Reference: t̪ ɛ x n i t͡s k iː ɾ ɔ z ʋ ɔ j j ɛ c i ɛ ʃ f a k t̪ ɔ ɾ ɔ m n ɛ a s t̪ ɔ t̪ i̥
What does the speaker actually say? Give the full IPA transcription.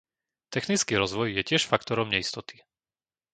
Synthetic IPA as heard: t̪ ɛ x n i t͡s k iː ɾ ɔ z ʋ ɔ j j ɛ c ɪ ɛ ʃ f a k t̪ ɔ ɾ ɔ m ɲ ɛ i s t̪ ɔ t̪ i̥

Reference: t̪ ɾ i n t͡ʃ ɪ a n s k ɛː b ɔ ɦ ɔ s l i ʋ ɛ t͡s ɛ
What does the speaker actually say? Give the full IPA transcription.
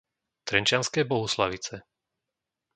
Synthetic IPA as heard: t̪ ɾ ɛ n t͡ʃ ɪ a n s k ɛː b ɔ ɦ u s l a ʋ i t͡s ɛ

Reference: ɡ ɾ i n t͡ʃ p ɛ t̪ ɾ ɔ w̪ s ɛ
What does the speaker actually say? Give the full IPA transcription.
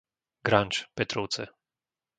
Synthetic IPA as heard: ɡ ɾ a n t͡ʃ p ɛ t̪ ɾ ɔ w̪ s ɛ

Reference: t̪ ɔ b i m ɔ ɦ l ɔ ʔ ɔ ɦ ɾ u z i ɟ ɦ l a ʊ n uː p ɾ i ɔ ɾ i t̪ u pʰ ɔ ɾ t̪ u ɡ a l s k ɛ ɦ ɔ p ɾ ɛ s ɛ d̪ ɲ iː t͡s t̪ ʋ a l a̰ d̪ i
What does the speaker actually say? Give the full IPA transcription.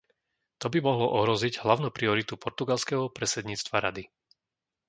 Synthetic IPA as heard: t̪ ɔ b i m ɔ ɦ l ɔ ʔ ɔ ɦ ɾ ɔ z i ɟ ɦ l a ʊ n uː p ɾ i ɔ ɾ i t̪ u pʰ ɔ ɾ t̪ u ɡ a l s k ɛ ɦ ɔ p ɾ ɛ s ɛ d̪ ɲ iː t͡s t̪ ʋ a ɾ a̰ d̪ i

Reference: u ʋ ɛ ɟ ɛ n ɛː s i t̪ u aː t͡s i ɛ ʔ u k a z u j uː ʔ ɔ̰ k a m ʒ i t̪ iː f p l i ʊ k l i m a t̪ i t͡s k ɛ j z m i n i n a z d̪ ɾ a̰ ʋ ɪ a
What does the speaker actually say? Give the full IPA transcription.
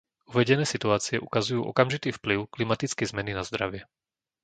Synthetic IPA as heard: u ʋ ɛ ɟ ɛ n ɛː s i t̪ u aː t͡s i ɛ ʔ u k a z u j uː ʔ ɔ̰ k a m ʒ i t̪ iː f p l i ʊ k l i m a t̪ i t͡s k ɛ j z m ɛ n i n a z d̪ ɾ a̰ ʋ ɪ ɛ

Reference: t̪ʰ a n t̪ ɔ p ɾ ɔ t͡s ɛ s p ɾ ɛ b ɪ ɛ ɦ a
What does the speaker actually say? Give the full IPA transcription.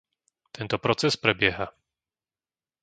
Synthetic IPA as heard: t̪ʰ ɛ n t̪ ɔ p ɾ ɔ t͡s ɛ s p ɾ ɛ b ɪ ɛ ɦ a

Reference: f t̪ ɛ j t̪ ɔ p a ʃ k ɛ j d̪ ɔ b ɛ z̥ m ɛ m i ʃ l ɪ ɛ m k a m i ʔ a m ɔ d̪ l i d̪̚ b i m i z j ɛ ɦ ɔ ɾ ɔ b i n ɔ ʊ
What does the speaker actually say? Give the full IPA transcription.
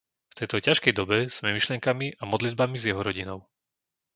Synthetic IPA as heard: f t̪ ɛ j t̪ ɔ c a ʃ k ɛ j d̪ ɔ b ɛ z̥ m ɛ m i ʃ l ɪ ɛ ŋ k a m i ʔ a m ɔ d̪ l i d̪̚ b a m i z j ɛ ɦ ɔ ɾ ɔ ɟ i n ɔ ʊ

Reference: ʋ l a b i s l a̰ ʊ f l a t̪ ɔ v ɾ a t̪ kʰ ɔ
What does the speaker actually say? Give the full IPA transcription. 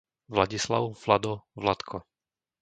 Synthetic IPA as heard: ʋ l a ɟ i s l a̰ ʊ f l a d̪ ɔ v l a t̪ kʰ ɔ

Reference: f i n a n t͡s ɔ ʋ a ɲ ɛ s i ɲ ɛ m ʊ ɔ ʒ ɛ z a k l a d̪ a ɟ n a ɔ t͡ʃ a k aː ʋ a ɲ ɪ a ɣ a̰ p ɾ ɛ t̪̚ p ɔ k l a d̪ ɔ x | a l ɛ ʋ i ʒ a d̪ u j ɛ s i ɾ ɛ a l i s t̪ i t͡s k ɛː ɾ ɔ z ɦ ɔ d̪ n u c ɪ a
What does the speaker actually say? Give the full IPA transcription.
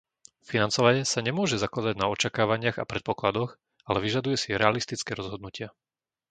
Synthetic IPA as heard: f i n a n t͡s ɔ ʋ a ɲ ɛ s a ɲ ɛ m ʊ ɔ ʒ ɛ z a k l a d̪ a ɟ n a ɔ t͡ʃ a k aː ʋ a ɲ ɪ a ɣ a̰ p ɾ ɛ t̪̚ p ɔ k l a d̪ ɔ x | a l ɛ ʋ i ʒ a d̪ u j ɛ s i ɾ ɛ a l i s t̪ i t͡s k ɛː ɾ ɔ z ɦ ɔ d̪ n u c ɪ a

